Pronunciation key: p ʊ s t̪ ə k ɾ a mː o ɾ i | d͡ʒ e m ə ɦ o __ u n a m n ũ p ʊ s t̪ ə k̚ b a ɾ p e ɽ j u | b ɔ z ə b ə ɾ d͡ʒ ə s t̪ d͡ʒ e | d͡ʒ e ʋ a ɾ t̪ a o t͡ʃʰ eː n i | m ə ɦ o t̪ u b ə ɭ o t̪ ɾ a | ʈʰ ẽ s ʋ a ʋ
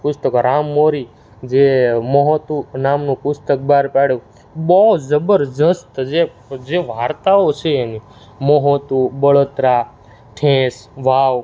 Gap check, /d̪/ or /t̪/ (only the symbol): t̪